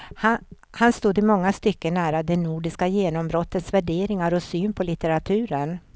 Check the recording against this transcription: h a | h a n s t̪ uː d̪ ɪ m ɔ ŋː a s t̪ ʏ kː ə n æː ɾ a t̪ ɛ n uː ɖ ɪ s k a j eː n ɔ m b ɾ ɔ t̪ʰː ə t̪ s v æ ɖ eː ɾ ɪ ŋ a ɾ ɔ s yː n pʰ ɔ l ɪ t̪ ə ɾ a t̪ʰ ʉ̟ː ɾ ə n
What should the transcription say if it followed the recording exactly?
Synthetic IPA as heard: h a | h a n s t̪ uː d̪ ɪ m ɔ ŋː a s t̪ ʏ kː ə n æː ɾ a d̪ ɛ n uː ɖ ɪ s k a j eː n ɔ m b ɾ ɔ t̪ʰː ə t̪ s v æ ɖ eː ɾ ɪ ŋ a ɾ ɔ s yː n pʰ ɔ l ɪ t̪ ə ɾ a t̪ʰ ʉ̟ː ɾ ə n